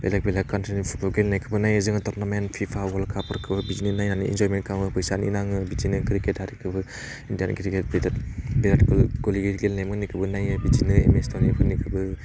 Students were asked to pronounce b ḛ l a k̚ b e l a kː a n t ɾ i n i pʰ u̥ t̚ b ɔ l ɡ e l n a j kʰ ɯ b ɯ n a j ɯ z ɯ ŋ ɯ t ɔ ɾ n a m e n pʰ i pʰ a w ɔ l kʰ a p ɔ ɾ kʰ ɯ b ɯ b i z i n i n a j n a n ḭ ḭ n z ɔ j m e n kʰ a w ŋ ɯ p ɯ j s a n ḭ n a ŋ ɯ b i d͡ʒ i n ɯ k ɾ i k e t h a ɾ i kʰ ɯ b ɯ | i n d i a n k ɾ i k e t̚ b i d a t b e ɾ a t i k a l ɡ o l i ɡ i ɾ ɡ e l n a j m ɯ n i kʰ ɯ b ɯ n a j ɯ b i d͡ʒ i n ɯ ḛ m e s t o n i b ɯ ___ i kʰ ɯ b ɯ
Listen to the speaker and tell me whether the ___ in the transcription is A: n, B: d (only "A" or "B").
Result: A